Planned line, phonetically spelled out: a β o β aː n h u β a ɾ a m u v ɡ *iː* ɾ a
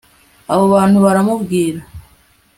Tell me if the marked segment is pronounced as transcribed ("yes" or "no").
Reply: yes